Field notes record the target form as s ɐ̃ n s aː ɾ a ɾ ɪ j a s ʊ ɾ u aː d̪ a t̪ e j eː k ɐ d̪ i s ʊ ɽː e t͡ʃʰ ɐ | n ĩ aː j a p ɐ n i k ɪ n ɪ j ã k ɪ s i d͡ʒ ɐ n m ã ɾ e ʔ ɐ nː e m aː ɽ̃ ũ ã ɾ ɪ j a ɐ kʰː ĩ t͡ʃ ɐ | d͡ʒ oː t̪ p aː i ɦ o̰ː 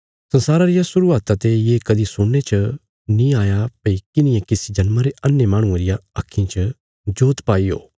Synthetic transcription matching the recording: s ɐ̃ n s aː ɾ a ɾ ɪ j a s ʊ ɾ u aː t̪ a t̪ e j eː k ɐ d̪ i s ʊ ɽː e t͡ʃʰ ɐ | n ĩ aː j a p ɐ i k ɪ n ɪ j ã k ɪ s i d͡ʒ ɐ n m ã ɾ e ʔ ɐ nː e m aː ɽ̃ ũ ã ɾ ɪ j a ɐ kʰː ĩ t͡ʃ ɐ | d͡ʒ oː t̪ p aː i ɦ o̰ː